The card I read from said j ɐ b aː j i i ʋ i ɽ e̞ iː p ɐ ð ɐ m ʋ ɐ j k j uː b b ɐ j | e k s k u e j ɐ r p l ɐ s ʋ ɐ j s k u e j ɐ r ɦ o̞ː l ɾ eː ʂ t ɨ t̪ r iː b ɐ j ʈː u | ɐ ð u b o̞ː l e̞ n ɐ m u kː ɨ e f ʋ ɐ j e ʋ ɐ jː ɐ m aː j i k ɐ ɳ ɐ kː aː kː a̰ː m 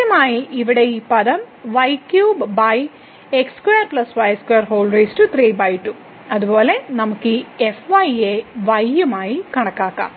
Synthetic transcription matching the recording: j ɐ m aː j i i ʋ i ɽ e̞ iː p ɐ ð ɐ m ʋ ɐ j k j uː b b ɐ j | e k s k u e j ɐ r p l ɐ s ʋ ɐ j s k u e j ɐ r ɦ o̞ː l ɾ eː s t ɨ t̪ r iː b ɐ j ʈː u | ɐ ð u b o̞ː l e̞ n ɐ m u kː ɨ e f ʋ ɐ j e ʋ ɐ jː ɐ m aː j i k ɐ ɳ ɐ kː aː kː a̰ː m